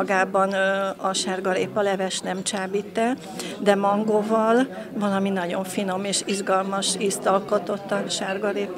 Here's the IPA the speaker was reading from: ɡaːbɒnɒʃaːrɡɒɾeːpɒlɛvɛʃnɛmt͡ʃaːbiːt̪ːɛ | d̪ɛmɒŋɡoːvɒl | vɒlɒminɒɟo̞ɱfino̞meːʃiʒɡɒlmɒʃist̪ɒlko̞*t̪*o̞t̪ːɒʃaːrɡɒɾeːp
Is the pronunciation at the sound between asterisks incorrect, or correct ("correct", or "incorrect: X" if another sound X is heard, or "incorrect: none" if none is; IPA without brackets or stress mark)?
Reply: correct